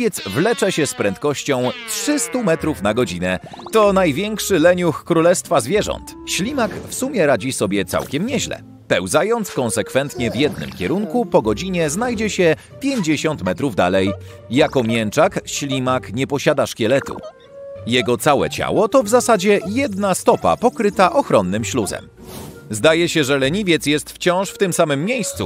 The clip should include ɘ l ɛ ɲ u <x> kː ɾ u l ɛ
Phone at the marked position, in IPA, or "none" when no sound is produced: x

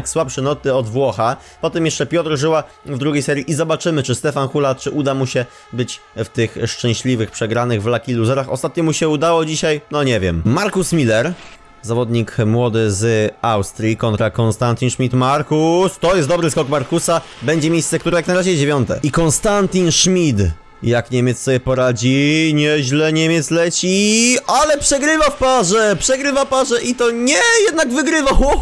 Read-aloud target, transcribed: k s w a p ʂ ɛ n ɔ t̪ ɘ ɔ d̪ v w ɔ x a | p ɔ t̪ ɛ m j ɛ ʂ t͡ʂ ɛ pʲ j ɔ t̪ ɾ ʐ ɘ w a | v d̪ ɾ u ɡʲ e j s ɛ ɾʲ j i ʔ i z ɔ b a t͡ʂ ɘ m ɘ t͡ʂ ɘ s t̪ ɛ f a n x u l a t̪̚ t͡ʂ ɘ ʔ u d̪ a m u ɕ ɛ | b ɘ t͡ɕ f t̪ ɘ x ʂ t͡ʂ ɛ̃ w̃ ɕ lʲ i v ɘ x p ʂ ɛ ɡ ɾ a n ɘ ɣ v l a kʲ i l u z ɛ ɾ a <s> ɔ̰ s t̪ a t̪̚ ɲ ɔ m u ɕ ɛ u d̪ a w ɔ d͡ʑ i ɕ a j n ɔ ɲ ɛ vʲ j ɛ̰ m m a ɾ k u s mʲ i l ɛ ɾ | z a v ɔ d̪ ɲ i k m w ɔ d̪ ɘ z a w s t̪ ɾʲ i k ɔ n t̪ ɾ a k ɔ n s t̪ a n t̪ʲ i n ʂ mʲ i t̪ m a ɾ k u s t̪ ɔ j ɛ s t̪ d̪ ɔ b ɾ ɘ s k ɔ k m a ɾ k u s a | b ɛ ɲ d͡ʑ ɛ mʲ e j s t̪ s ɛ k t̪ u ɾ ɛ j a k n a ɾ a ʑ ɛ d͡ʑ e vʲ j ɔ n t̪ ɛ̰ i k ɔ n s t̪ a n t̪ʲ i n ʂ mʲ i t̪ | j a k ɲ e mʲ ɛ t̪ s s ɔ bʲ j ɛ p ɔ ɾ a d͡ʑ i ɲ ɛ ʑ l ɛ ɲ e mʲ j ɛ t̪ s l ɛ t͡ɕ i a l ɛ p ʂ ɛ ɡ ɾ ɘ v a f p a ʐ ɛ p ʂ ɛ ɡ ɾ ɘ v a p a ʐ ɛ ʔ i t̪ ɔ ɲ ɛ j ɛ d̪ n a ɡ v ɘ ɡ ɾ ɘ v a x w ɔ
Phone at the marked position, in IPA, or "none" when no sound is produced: x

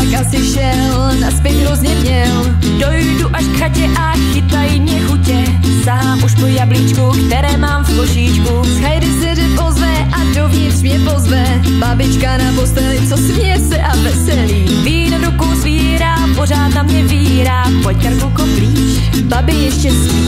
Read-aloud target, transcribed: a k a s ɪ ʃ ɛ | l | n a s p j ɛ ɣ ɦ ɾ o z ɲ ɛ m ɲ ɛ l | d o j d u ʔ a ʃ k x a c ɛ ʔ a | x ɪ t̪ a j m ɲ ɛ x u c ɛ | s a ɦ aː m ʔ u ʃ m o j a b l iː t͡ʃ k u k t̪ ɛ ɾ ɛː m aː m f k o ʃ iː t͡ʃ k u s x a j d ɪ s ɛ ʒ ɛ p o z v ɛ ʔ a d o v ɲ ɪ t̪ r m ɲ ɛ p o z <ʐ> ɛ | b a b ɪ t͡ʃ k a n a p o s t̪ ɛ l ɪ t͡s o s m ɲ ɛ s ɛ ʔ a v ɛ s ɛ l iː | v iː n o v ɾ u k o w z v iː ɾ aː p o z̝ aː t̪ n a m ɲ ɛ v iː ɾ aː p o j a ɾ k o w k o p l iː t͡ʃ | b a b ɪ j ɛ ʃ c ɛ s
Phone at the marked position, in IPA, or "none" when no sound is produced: v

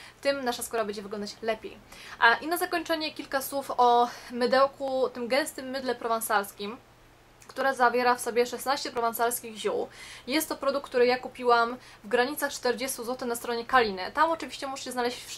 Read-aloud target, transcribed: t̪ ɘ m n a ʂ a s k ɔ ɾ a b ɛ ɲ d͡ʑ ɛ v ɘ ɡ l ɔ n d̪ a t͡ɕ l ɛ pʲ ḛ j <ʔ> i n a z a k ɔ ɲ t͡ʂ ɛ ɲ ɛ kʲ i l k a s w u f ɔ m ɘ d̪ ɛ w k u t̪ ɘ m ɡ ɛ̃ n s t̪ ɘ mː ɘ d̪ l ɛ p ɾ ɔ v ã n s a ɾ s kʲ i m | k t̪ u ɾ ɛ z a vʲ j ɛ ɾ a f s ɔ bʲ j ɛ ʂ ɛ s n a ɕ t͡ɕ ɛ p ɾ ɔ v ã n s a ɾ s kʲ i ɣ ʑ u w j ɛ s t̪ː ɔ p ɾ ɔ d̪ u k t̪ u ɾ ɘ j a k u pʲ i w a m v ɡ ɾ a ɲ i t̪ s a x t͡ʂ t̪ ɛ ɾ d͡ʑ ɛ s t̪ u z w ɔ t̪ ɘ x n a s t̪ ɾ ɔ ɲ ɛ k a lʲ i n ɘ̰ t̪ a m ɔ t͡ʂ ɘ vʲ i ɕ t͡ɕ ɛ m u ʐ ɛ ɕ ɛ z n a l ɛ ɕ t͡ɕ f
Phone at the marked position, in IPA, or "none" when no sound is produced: ʔ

